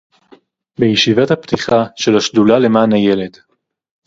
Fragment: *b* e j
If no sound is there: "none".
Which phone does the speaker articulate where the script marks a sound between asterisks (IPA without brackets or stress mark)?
b